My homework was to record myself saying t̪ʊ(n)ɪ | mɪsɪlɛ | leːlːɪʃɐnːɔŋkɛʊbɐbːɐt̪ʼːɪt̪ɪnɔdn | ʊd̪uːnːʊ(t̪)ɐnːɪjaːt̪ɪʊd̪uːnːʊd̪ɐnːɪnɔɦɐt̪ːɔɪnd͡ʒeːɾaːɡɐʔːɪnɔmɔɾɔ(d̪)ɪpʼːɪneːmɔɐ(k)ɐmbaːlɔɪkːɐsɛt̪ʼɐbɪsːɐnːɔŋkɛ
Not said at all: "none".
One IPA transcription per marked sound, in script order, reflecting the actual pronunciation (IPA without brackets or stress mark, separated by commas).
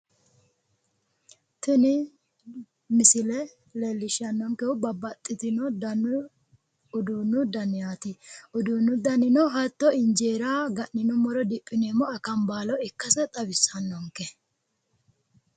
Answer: n, d̪, d̪, k